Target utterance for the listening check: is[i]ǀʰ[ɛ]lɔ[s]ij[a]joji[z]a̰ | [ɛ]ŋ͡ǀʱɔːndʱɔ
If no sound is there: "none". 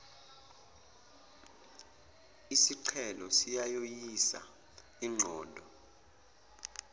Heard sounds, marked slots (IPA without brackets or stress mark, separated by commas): i, ɛ, s, a, s, i